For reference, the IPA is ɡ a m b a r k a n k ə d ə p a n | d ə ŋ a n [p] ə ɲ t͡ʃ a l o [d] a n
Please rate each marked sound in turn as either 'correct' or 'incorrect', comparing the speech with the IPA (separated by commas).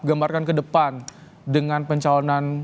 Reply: correct, incorrect